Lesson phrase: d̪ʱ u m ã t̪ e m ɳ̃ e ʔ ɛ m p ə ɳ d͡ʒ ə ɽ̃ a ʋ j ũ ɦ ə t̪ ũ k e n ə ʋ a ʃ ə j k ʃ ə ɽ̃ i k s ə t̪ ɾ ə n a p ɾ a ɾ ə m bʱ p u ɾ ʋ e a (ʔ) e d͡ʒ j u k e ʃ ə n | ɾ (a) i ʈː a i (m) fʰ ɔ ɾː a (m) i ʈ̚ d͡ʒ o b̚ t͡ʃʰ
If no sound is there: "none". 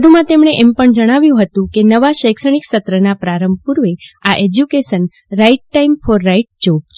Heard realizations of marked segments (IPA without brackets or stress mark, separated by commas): ʔ, a, m, none